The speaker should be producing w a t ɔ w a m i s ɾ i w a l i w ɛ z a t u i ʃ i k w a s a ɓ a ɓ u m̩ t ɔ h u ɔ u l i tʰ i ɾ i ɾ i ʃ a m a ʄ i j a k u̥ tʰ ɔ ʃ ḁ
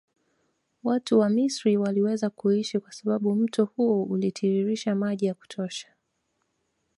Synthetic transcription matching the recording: w a t u w a m i s ɾ i w a l i w ɛ z a k u i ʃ i k w a s a ɓ a ɓ u m̩ t ɔ h u ɔ u l i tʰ i ɾ i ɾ i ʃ a m a ʄ i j a k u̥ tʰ ɔ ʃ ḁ

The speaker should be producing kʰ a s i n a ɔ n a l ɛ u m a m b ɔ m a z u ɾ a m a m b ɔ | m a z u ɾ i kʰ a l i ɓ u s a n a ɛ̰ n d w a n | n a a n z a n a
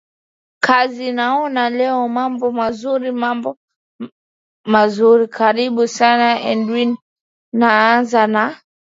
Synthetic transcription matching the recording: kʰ a z i n a ɔ n a l ɛ ɔ m a m b ɔ m a z u ɾ i m a m b ɔ | m a z u ɾ i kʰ a ɾ i ɓ u s a n a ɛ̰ n d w i n | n a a n z a n a

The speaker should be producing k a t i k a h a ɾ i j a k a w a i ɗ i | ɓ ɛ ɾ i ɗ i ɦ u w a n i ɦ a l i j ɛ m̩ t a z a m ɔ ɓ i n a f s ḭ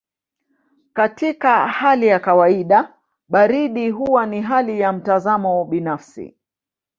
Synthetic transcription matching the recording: k a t i k a h a l i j a k a w a i ɗ a | ɓ a ɾ i ɗ i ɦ u w a n i ɦ a l i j a m̩ t a z a m ɔ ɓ i n a f s ḭ

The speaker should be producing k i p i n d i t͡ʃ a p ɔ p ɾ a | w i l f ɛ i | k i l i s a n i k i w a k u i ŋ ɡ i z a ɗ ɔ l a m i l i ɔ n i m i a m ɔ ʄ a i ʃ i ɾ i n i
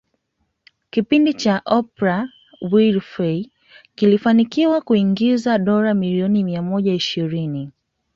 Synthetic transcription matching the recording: k i p i n d i t͡ʃ a ʔ ɔ p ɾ a | w i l f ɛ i | k i l i f a n i k i w a k u i ŋ ɡ i z a ɗ ɔ ɾ a m i l i ɔ n i m i a m ɔ ʄ a i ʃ i ɾ i n i

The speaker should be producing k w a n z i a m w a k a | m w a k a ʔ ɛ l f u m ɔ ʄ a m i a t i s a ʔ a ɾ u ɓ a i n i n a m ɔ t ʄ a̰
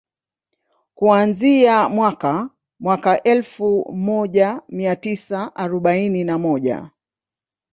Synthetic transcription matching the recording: k u a n z i a m w a k a | m w a k a ʔ ɛ l f u m ɔ ʄ a m i a t i s a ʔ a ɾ ɔ ɓ a i n i n a m ɔ ʄ a̰

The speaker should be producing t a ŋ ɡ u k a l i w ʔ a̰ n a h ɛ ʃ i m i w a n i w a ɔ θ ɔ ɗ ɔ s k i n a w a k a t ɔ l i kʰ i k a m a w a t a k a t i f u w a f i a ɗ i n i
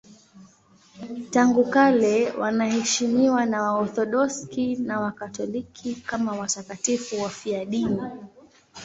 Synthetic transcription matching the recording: t a ŋ ɡ u k a l ɛ w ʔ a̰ n a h ɛ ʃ i m i w a n a w a ɔ θ ɔ ɗ ɔ s k i n a w a k a t ɔ l i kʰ i k a m a w a t a k a t i f u w a f i a ɗ i n i

